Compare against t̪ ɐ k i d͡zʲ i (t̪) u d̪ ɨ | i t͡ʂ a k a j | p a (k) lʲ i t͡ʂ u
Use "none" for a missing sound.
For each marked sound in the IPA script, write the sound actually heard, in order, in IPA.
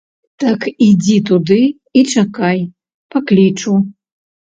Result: t̪, k

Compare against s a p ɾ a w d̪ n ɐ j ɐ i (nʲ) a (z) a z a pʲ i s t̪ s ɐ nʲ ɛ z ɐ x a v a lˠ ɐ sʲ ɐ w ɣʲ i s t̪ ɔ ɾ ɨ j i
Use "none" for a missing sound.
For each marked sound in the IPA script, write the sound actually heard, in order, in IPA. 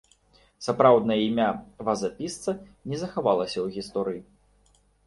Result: mʲ, v

